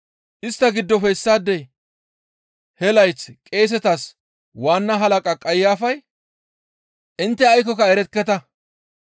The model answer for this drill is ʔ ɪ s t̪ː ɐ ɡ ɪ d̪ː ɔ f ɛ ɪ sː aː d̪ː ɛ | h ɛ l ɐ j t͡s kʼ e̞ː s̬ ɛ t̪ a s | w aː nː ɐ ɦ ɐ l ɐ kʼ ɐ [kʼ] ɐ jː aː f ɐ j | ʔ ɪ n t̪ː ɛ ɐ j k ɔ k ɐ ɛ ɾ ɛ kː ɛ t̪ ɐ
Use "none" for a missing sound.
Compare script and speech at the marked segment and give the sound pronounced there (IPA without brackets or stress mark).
kʼ